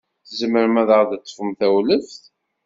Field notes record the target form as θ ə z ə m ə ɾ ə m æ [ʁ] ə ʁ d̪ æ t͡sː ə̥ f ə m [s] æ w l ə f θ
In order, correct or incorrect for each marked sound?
incorrect, incorrect

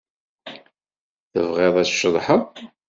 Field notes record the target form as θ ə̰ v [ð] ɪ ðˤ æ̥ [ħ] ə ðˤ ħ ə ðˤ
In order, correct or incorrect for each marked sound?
incorrect, incorrect

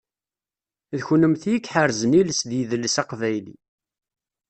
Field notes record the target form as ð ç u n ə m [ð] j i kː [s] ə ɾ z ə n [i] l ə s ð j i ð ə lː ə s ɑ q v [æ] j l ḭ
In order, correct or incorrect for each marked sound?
incorrect, incorrect, correct, correct

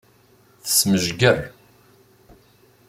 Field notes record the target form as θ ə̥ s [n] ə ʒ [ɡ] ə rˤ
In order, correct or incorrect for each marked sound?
incorrect, correct

